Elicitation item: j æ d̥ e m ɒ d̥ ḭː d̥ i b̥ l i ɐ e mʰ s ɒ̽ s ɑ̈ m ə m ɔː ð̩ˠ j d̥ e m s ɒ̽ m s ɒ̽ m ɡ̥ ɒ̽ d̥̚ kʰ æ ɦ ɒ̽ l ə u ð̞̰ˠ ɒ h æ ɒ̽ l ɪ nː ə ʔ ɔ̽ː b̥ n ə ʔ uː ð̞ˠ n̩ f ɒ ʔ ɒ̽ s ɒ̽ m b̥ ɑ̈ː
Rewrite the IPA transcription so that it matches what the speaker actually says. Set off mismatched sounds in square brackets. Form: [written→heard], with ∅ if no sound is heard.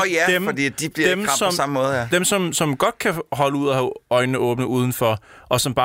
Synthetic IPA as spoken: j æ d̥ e m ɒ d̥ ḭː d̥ i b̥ l i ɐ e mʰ s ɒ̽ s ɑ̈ m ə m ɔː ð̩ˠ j d̥ e m s ɒ̽ m s ɒ̽ m ɡ̥ ɒ̽ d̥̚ kʰ æ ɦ ɒ̽ l ə u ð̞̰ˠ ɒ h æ ɒ̽ [l→∅] ɪ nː ə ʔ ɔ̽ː b̥ n ə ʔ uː ð̞ˠ n̩ f ɒ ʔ ɒ̽ s ɒ̽ m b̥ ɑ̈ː